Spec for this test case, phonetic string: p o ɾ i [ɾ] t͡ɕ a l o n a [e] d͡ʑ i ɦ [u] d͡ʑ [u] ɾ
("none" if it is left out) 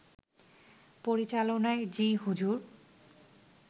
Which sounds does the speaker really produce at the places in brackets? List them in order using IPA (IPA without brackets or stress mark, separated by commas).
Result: none, e, u, u